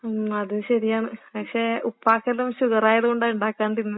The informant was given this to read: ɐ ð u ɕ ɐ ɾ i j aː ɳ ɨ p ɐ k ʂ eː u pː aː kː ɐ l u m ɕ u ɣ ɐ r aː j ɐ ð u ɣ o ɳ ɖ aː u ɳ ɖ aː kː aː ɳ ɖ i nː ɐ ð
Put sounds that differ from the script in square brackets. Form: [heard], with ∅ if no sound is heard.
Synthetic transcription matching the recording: ɐ ð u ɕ ɐ ɾ i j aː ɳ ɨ p ɐ k ʂ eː u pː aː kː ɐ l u m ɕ u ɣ ɐ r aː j ɐ ð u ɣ o ɳ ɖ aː u ɳ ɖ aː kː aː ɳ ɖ i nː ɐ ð